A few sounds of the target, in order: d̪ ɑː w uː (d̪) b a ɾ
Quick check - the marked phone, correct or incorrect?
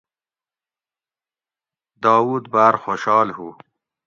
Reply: correct